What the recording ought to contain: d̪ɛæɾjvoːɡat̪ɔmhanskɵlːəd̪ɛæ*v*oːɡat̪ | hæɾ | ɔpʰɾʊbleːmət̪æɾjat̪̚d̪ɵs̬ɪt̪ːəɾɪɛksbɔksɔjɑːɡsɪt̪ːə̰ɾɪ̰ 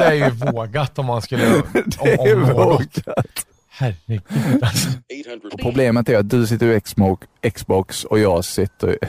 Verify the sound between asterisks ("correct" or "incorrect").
correct